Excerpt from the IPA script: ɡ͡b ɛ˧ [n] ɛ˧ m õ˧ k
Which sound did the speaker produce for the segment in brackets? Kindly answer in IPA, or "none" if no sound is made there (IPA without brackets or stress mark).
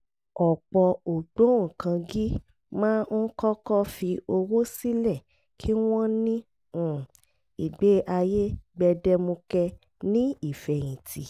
d